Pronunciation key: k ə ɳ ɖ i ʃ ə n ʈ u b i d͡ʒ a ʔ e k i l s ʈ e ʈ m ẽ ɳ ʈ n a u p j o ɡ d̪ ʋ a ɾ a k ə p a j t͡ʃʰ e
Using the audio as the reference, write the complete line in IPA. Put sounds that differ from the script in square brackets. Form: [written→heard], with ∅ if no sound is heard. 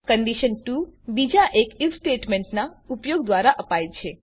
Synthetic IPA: k ə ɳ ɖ i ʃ ə n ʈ u b i d͡ʒ a ʔ e k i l s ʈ e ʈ m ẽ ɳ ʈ n a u p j o ɡ d̪ ʋ a ɾ a [k→ʔ] ə p a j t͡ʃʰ e